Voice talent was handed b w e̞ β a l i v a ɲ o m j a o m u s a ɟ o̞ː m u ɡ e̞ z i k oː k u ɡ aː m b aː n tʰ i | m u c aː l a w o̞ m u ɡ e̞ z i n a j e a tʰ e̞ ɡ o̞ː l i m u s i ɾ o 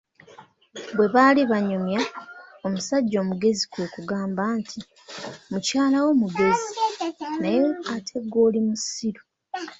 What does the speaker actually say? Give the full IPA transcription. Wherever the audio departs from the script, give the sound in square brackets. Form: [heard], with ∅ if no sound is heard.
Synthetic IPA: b w e̞ β a l i [β] a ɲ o m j a o m u s a [ɟː] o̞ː m u ɡ e̞ z i k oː k u ɡ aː m b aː n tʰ i | m u c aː l a w o̞ m u ɡ e̞ z i n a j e a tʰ e̞ ɡ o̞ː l i m u s i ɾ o